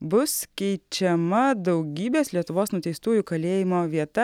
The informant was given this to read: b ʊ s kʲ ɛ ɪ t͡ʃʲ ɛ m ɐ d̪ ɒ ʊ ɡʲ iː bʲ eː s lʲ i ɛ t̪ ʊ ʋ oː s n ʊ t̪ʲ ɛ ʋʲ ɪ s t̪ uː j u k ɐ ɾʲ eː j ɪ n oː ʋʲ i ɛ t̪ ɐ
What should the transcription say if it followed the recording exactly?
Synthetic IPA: b ʊ s kʲ ɛ ɪ t͡ʃʲ ɛ m ɐ d̪ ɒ ʊ ɡʲ iː bʲ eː s lʲ i ɛ t̪ ʊ ʋ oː s n ʊ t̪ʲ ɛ ɪ s t̪ uː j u k ɐ lʲ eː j ɪ m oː ʋʲ i ɛ t̪ ɐ